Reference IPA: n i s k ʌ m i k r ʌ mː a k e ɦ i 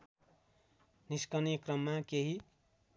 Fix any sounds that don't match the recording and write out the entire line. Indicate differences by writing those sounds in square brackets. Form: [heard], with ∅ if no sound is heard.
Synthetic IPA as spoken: n i s k ʌ [n] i k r ʌ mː a k e ɦ i